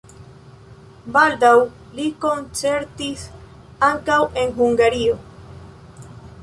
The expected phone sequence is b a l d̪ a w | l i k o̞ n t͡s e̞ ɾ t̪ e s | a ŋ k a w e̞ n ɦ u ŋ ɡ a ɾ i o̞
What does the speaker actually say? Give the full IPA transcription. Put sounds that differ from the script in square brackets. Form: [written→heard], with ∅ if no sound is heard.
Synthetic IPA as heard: b a l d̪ a w | l i k o̞ n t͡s e̞ ɾ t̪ [e→i] s | a ŋ k a w e̞ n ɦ u ŋ ɡ a ɾ i o̞